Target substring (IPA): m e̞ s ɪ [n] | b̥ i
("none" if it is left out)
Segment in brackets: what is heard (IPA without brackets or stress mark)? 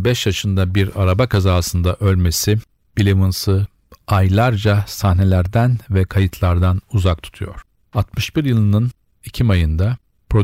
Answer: none